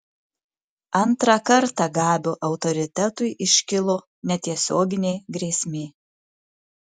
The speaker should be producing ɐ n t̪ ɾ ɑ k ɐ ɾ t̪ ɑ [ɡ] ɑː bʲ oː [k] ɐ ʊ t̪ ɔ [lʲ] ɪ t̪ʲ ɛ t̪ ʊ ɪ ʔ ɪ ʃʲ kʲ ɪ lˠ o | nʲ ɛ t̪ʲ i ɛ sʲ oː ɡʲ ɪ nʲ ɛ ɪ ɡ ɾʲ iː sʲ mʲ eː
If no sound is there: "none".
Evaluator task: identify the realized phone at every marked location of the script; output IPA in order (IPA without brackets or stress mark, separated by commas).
ɡ, ʔ, ɾʲ